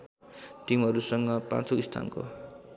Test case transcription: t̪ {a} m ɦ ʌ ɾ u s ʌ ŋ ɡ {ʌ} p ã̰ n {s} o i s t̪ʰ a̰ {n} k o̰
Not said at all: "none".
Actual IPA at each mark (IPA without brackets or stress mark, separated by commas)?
i, ʌ, t͡s, n